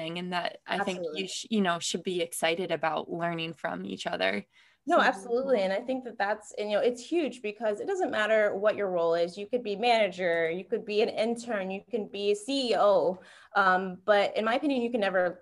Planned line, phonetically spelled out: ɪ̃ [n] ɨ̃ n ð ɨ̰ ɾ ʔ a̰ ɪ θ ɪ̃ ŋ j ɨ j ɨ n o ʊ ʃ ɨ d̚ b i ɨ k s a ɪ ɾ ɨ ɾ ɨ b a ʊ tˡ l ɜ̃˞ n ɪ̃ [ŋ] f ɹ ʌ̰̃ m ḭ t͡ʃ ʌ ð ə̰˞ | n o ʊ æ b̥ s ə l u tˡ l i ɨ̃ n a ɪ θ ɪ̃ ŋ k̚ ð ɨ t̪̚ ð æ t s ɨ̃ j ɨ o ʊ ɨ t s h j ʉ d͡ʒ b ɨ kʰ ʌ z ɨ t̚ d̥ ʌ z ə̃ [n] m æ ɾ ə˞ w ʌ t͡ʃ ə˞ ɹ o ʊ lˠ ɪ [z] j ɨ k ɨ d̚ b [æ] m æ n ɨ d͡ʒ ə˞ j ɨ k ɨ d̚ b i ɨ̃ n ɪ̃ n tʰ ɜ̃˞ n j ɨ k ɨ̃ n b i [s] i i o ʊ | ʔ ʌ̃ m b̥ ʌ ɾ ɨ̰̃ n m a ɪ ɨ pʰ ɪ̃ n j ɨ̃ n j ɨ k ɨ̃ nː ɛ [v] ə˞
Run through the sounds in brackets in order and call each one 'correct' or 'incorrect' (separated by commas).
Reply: incorrect, correct, correct, correct, incorrect, correct, correct